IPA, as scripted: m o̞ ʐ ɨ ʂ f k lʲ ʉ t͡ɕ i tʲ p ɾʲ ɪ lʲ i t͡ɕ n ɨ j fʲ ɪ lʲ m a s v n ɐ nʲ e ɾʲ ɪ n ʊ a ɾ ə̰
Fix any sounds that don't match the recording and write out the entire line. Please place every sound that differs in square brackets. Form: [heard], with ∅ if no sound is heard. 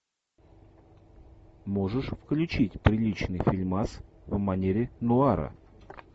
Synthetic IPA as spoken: m o̞ ʐ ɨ ʂ f k lʲ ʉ t͡ɕ i tʲ p ɾʲ ɪ lʲ i t͡ɕ n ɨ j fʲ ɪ lʲ m a s v [m] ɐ nʲ e ɾʲ ɪ n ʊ a ɾ ə̰